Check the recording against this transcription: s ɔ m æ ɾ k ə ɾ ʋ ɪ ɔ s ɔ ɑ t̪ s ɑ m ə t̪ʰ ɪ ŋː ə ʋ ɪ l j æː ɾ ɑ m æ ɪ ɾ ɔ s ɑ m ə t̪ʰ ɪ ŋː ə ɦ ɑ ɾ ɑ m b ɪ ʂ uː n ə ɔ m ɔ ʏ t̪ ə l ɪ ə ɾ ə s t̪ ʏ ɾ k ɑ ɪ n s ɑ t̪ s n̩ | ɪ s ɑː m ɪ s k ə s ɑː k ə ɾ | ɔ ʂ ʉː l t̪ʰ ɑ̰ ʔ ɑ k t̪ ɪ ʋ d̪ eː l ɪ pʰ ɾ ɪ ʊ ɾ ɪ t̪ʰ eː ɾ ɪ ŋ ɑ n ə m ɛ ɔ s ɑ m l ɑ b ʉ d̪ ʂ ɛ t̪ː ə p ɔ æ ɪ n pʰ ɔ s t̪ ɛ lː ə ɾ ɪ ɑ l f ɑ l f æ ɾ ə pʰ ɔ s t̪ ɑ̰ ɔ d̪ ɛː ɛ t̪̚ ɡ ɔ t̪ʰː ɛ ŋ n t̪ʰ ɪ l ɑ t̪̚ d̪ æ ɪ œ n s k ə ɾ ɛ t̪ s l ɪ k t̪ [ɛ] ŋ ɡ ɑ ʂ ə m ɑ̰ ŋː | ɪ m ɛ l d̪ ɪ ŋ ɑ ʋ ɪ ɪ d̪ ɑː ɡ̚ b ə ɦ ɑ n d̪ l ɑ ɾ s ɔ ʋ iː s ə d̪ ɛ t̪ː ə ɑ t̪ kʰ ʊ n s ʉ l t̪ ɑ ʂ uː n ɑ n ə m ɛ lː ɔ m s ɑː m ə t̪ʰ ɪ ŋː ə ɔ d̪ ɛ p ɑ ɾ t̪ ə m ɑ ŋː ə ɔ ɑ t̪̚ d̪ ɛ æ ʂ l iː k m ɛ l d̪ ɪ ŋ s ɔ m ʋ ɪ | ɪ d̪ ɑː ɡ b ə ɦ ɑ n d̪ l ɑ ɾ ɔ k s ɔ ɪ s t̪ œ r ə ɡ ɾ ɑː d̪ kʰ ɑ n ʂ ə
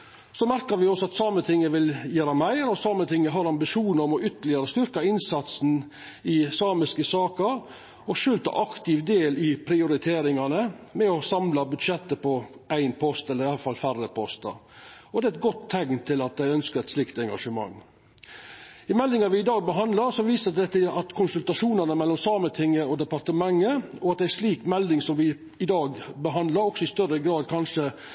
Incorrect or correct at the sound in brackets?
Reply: correct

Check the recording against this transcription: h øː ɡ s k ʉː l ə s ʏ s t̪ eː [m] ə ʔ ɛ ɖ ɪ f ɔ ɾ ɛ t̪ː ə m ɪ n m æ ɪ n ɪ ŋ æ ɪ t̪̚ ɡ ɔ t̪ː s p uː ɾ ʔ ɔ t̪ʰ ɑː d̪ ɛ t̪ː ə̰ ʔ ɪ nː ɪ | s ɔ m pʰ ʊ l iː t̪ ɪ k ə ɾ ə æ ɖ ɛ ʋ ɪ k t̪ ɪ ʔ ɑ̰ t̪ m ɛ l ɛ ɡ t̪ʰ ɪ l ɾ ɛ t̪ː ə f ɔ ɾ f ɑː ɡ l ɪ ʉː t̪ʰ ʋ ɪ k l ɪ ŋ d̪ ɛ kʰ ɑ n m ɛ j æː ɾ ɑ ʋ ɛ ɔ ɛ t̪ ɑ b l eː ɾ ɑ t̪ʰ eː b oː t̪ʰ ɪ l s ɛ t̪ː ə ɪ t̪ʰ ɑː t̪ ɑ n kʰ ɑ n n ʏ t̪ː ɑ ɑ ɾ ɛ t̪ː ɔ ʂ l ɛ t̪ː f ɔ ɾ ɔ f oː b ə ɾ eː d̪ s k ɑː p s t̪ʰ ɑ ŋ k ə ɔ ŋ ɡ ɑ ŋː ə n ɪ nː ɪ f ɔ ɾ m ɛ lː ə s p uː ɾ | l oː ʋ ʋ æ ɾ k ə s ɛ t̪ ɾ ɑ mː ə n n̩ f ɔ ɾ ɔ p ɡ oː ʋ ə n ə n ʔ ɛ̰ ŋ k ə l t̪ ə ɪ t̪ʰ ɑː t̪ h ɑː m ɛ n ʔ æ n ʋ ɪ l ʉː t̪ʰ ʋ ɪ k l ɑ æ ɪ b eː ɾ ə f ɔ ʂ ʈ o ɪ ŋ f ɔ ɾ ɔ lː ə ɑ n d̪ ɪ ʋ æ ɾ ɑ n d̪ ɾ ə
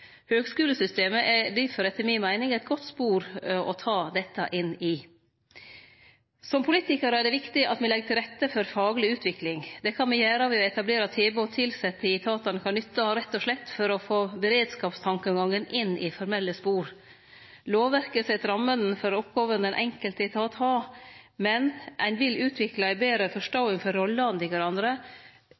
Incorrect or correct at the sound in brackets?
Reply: correct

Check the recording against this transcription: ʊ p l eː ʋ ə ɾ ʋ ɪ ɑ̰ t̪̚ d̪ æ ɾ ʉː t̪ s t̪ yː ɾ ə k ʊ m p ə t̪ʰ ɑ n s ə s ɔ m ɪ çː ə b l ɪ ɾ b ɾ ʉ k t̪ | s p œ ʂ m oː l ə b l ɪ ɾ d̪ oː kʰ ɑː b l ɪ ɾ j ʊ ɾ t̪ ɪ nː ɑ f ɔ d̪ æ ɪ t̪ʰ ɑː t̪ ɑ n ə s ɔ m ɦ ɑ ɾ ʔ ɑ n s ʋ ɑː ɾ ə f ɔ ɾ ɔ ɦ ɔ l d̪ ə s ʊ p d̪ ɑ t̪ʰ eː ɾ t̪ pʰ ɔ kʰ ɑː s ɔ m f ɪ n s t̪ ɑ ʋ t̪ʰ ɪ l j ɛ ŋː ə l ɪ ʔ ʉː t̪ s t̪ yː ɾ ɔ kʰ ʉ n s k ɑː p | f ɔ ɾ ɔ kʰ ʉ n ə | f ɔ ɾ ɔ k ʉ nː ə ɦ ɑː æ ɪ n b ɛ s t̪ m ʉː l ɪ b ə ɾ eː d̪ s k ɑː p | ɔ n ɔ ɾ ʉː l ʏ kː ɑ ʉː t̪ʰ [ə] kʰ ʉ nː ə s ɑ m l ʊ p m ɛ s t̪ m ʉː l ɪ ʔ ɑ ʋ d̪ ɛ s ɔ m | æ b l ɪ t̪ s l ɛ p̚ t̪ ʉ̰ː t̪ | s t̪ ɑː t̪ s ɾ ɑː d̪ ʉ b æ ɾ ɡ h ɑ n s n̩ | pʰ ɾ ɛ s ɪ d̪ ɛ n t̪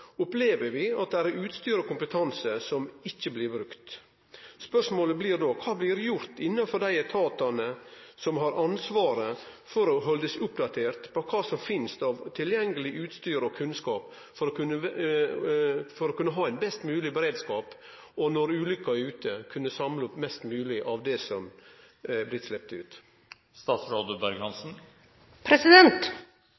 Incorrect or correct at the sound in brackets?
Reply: correct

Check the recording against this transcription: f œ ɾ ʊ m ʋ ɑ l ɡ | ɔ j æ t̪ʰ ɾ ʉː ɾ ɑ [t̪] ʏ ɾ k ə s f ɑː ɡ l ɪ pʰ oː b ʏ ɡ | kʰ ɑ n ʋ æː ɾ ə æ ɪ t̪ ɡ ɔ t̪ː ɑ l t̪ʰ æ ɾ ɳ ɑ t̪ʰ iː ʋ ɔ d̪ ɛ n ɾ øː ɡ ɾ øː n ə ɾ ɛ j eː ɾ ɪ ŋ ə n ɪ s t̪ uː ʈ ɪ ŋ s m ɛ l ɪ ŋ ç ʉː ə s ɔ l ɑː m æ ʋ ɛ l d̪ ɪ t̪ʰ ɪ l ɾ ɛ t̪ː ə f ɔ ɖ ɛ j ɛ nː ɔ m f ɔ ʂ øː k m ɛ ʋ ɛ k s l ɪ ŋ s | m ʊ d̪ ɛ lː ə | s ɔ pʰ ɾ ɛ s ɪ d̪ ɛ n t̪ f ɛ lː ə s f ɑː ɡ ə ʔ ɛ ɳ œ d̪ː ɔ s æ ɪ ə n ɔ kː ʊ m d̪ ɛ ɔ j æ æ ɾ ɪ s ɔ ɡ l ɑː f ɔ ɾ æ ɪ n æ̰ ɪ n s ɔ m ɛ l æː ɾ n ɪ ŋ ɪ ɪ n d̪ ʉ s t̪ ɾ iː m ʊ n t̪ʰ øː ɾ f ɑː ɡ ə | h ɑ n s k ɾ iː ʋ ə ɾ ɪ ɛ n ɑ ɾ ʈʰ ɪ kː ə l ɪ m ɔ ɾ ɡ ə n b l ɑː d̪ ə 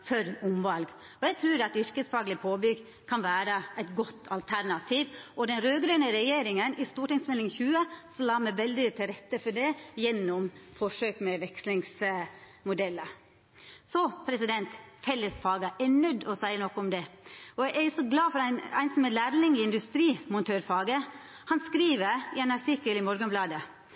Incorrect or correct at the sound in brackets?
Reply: correct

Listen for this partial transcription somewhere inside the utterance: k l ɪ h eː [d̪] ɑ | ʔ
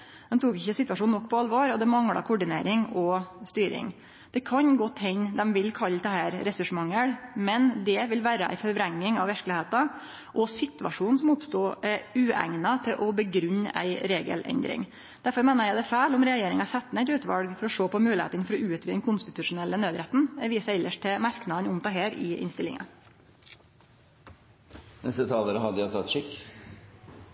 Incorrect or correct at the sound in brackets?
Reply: incorrect: t̪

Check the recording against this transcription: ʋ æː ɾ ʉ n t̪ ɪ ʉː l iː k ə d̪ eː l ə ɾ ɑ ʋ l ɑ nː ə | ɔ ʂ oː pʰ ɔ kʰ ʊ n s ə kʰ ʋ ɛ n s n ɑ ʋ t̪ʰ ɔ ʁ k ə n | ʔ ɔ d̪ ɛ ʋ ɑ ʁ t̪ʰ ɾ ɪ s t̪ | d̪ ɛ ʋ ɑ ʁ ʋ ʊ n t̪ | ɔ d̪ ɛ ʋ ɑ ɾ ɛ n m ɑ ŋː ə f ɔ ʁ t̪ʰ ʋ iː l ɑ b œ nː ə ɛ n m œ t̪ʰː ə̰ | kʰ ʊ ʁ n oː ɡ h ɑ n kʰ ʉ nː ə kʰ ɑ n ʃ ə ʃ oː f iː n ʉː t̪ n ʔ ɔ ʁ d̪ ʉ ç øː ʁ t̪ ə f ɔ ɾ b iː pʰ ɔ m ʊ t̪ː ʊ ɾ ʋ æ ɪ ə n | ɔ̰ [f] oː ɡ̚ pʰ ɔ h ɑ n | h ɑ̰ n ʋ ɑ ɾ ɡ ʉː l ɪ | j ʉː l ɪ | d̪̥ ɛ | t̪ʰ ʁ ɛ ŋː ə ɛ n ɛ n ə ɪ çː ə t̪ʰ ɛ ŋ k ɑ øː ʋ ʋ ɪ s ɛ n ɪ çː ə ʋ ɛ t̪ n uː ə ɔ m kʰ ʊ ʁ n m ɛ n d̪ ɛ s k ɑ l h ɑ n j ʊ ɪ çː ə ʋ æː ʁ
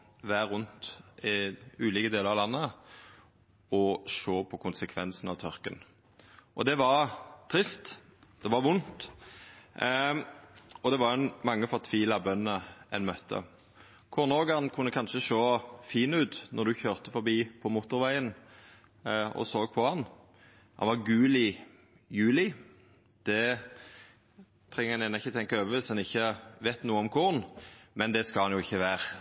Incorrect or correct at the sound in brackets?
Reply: incorrect: s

